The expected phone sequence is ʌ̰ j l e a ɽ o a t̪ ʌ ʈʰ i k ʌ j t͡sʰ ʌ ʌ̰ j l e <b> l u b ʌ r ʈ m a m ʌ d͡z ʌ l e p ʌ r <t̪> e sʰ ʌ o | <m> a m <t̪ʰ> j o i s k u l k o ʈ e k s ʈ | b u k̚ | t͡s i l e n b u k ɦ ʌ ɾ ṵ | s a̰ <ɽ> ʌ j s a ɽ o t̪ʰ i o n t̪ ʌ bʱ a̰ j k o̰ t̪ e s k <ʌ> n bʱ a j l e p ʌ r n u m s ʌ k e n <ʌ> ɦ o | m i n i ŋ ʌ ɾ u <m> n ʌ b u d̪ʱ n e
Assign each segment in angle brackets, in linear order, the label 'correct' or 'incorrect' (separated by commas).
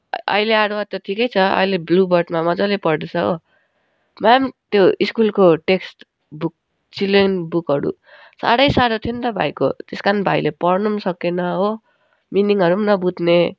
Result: correct, incorrect, correct, incorrect, correct, incorrect, correct, correct